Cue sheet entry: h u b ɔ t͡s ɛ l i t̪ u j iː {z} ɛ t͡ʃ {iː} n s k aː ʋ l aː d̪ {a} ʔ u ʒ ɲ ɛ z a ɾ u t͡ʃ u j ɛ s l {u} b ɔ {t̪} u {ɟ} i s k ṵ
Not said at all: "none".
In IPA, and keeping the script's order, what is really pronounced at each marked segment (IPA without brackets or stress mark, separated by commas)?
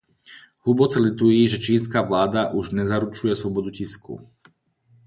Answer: ʒ, iː, a, ɔ, d̪, c